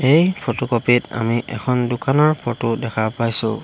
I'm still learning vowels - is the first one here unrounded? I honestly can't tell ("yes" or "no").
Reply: yes